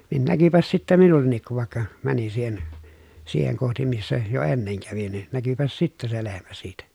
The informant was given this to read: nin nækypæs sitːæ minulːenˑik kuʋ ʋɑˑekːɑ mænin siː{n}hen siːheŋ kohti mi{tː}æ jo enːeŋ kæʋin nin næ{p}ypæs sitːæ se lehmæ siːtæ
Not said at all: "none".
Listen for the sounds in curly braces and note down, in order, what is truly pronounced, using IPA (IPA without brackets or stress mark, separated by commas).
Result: none, sː, k